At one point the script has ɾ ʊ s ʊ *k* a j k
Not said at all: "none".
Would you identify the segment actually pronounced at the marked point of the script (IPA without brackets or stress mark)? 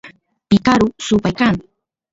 p